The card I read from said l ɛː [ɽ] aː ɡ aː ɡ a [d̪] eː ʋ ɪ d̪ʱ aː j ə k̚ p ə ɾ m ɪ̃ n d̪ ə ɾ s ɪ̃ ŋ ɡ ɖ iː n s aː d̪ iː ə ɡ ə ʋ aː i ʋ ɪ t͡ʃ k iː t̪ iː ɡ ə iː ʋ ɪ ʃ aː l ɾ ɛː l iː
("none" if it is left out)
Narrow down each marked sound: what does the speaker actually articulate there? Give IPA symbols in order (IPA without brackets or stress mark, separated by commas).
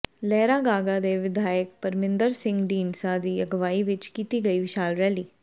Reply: ɾ, d̪